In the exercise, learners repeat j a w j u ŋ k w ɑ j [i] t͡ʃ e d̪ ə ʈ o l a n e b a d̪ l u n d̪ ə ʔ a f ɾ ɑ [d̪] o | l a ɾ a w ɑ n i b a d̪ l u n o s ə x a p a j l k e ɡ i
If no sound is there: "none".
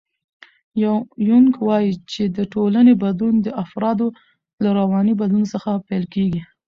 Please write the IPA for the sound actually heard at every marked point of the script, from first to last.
i, d̪

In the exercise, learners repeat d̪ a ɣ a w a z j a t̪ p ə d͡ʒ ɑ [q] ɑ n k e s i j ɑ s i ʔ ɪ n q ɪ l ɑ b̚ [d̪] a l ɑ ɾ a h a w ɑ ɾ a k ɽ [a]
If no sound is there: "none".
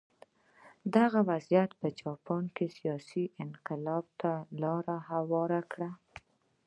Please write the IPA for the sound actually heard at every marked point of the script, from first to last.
p, t̪, a

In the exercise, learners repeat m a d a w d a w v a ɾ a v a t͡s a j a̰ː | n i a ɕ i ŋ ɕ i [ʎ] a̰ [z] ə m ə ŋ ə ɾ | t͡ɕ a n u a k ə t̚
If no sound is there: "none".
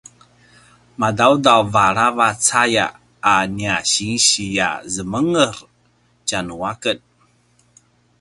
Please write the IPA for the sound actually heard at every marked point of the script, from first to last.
j, z

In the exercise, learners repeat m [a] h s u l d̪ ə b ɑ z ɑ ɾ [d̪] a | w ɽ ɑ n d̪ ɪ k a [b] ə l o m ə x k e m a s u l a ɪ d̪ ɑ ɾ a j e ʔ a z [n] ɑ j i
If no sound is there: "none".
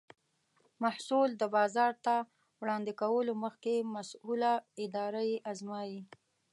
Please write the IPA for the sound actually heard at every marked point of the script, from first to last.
a, t̪, w, m

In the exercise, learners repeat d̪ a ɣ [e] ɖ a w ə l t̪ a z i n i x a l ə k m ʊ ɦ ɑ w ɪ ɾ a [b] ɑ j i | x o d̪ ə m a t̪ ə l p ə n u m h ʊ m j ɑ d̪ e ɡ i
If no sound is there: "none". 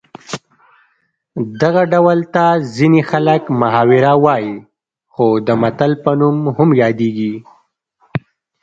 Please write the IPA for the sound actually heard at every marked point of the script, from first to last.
a, w

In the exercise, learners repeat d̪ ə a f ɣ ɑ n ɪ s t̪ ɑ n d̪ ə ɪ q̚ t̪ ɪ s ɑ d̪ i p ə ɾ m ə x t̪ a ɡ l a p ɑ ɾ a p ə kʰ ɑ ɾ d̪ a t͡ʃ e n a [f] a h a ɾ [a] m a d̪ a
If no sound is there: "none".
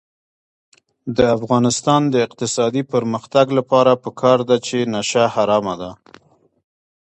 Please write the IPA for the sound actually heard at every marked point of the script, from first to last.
ʃ, ɑ

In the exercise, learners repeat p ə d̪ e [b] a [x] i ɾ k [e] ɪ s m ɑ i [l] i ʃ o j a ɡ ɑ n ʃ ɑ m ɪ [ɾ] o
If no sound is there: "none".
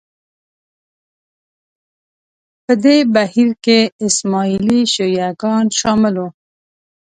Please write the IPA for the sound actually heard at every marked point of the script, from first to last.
b, h, e, l, l

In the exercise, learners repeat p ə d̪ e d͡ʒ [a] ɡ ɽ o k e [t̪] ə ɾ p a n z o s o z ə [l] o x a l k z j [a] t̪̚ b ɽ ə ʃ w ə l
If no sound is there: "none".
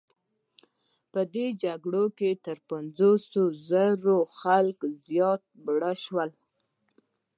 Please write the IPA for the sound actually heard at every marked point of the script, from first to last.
a, t̪, ɾ, ɑ

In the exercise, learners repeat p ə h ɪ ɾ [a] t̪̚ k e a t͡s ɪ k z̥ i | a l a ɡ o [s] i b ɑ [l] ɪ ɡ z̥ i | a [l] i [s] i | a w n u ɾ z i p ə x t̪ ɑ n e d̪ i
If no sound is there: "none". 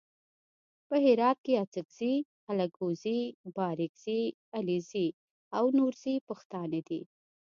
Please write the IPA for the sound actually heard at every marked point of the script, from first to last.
ɑ, z, ɾ, l, z

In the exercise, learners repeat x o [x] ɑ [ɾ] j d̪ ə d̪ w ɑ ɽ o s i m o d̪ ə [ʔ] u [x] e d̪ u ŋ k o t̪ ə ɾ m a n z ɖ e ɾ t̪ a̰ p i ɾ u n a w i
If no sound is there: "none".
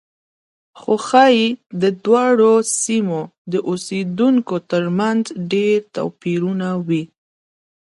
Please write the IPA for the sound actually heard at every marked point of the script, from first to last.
x, none, ʔ, s

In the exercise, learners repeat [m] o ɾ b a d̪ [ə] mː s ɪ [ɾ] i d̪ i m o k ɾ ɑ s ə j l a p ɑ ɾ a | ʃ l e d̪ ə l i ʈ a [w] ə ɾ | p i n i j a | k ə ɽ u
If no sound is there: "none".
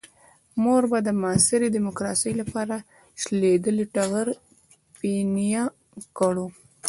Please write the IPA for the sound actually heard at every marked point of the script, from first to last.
m, ə, ɾ, ɣ

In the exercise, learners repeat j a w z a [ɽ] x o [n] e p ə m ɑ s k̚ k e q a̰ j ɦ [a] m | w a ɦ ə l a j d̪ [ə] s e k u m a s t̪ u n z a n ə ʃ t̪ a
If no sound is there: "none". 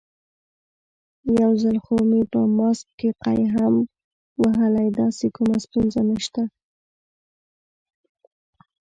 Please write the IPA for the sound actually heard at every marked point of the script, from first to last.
l, m, a, ɑ

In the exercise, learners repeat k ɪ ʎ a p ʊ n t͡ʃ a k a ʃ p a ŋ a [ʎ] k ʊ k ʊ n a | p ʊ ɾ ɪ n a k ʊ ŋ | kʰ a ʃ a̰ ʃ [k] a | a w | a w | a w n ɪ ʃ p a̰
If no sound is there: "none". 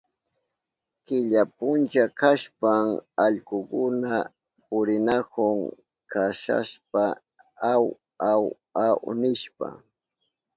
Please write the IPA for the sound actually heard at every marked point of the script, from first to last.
ʎ, p

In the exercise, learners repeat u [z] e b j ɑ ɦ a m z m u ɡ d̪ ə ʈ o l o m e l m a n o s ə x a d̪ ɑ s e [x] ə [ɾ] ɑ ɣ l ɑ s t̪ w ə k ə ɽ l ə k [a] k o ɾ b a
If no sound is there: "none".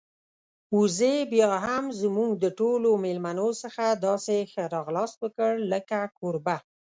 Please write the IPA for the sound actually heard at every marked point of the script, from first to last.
z, x, ɾ, a

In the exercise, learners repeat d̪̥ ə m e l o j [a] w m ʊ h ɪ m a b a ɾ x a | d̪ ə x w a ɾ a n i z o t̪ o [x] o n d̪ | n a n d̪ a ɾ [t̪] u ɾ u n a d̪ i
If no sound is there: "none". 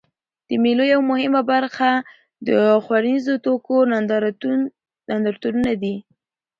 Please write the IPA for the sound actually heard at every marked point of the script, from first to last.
a, k, t̪

